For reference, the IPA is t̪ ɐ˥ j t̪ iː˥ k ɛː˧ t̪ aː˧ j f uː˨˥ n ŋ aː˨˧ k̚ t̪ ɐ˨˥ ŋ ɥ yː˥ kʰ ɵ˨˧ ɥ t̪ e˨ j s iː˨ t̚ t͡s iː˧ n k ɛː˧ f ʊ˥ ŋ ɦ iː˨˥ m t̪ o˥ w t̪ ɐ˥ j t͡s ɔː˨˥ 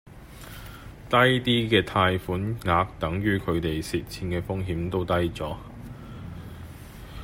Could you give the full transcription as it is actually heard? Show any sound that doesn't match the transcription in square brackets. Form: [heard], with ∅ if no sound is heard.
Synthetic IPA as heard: t̪ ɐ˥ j t̪ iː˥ k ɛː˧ [t̪ʰ] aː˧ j f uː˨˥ n ŋ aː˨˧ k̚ t̪ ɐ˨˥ ŋ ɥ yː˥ kʰ ɵ˨˧ ɥ t̪ e˨ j s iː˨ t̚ [t͡sʰ] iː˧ n k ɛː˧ f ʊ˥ ŋ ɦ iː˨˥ m t̪ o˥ w t̪ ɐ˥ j t͡s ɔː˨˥